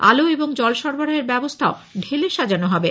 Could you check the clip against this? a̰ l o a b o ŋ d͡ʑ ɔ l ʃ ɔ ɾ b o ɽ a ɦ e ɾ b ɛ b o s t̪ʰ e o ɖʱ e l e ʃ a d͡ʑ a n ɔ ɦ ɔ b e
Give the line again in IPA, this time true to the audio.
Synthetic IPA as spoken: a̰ l o e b o ŋ d͡ʑ ɔ l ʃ ɔ ɾ b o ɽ a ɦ e ɾ b ɛ b o s t̪ʰ a o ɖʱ e l e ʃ a d͡ʑ a n o ɦ ɔ b e